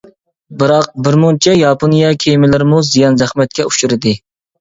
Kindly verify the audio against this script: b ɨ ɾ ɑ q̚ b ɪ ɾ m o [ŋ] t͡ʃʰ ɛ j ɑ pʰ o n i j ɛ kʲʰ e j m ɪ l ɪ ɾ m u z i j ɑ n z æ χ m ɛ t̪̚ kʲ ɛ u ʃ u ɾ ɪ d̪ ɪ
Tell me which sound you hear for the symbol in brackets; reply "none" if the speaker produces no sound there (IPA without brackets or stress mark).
n